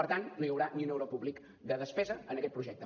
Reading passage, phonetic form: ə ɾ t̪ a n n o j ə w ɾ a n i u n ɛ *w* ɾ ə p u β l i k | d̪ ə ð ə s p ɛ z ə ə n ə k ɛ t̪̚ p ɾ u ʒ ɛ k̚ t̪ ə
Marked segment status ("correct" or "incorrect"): correct